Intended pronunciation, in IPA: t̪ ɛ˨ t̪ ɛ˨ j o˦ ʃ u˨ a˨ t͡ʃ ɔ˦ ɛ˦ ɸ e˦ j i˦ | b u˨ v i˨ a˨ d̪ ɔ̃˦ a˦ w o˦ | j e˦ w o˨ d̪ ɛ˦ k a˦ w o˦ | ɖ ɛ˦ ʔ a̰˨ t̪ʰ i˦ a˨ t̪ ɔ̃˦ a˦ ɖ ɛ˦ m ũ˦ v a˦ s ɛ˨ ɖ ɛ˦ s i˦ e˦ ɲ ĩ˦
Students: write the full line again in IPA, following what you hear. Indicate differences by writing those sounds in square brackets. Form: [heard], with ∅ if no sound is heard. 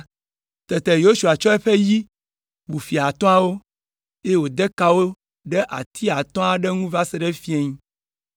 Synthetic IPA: t̪ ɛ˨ t̪ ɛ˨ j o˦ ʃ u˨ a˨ t͡ʃ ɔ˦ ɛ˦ ɸ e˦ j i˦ | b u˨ [f] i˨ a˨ [t̪] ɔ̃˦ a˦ w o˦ | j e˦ w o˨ d̪ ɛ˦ k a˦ w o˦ | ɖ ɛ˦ ʔ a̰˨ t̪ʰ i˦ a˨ t̪ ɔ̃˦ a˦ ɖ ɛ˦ [ŋ] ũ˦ v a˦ s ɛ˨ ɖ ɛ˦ [f] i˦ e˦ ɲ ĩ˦

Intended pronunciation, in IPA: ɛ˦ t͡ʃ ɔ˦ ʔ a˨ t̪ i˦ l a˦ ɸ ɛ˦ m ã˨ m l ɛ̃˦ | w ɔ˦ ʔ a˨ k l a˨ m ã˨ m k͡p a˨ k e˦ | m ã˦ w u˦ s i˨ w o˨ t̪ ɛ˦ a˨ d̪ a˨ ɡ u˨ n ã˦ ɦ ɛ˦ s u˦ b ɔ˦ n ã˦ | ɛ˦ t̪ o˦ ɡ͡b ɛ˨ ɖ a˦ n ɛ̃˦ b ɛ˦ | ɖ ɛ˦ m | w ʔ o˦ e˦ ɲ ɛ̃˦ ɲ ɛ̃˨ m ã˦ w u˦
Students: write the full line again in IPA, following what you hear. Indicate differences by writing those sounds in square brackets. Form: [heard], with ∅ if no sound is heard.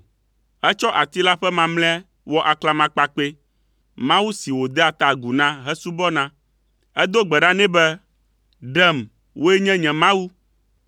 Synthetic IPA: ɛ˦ t͡ʃ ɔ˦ ʔ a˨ t̪ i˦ l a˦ ɸ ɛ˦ m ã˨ m l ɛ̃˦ | w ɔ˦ ʔ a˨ k l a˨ m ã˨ [∅] k͡p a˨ [k͡p] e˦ | m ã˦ w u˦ s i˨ w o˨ [d̪] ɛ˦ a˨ [t̪] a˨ ɡ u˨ n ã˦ ɦ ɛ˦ s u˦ b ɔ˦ n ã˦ | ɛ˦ [d̪] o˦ ɡ͡b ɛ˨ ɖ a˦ n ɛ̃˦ b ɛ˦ | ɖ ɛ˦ m | w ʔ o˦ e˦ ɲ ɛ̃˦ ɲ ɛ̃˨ m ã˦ w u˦

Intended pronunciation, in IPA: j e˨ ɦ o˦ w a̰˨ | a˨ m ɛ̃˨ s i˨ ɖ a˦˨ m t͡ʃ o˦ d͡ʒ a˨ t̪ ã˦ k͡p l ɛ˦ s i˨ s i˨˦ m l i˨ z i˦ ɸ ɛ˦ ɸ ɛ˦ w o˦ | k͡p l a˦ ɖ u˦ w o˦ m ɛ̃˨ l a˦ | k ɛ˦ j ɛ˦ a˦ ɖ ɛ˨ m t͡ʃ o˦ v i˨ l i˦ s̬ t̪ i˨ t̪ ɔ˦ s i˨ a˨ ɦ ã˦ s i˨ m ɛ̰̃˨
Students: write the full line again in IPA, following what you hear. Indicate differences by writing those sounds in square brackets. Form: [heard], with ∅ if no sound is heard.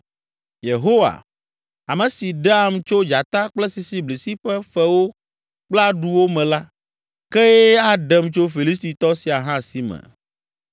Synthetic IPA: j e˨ ɦ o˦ w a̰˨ | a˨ m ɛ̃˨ s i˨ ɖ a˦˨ m t͡ʃ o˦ d͡ʒ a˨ t̪ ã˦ k͡p l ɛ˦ s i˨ s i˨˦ [b] l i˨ [s] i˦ ɸ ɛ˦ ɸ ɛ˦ w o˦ | k͡p l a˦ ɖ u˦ w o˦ m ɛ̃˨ l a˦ | k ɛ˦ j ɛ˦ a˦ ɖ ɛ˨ m t͡ʃ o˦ [f] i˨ l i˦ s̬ t̪ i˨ t̪ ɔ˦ s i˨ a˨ ɦ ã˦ s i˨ m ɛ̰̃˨

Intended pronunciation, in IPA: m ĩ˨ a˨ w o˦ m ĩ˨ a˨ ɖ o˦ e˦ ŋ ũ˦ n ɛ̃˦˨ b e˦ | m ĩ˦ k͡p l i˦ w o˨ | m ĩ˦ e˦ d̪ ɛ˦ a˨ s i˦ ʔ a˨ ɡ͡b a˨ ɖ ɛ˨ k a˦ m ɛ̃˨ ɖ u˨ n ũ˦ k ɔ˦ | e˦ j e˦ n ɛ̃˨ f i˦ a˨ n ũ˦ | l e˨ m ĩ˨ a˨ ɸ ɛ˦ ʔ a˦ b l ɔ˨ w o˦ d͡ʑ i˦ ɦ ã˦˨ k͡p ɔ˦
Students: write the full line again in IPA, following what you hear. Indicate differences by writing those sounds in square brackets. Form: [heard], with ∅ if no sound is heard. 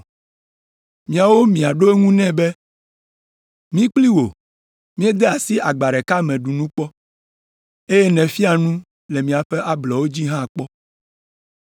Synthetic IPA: m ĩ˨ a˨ w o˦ m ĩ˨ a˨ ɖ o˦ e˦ ŋ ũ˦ n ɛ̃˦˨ b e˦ | m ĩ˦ k͡p l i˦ w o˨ | m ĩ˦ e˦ d̪ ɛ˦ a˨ s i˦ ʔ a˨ ɡ͡b a˨ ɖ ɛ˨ k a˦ m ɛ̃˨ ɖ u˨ n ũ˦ [k͡p] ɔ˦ | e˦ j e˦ n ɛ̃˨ f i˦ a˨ n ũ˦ | l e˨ m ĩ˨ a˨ ɸ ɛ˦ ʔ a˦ b l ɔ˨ w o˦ d͡ʑ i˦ ɦ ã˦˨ k͡p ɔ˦

